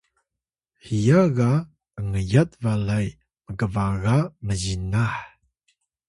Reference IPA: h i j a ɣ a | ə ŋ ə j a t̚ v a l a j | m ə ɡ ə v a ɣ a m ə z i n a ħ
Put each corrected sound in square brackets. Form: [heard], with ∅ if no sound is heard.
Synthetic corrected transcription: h i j a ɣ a | ə ŋ ə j a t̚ v a l a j | m ə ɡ ə v a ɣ a m ə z i n a ħ